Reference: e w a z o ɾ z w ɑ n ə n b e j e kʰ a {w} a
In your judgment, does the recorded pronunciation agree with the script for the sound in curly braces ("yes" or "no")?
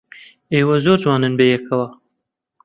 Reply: yes